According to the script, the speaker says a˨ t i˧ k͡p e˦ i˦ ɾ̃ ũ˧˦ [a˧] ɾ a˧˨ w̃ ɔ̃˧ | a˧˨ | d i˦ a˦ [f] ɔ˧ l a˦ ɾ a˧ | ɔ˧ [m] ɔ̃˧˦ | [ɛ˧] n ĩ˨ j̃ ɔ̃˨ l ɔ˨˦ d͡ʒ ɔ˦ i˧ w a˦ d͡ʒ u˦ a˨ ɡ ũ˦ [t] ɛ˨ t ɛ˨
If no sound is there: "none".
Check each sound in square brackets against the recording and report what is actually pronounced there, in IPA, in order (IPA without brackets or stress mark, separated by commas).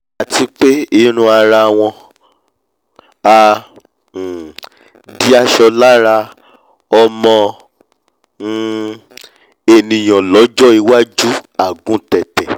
a˧, ʃ, m, e˧, t